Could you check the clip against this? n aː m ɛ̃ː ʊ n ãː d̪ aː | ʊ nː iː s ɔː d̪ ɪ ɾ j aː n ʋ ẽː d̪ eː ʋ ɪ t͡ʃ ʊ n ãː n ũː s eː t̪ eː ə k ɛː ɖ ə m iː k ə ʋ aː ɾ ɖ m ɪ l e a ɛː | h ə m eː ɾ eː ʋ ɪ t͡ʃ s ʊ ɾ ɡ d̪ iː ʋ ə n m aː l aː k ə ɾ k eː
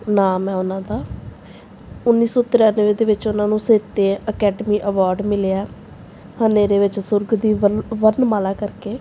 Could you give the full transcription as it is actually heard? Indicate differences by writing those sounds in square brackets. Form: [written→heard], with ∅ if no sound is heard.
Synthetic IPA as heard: n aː m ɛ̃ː ʊ n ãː d̪ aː | ʊ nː iː s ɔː [d̪→t̪] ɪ ɾ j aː n ʋ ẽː d̪ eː ʋ ɪ t͡ʃ ʊ n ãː n ũː s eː t̪ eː ə k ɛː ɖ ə m iː [k→ʔ] ə ʋ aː ɾ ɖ m ɪ l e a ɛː | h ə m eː ɾ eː ʋ ɪ t͡ʃ s ʊ ɾ ɡ d̪ iː ʋ ə n m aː l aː k ə ɾ k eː